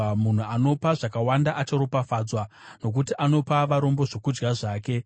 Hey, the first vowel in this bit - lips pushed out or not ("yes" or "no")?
yes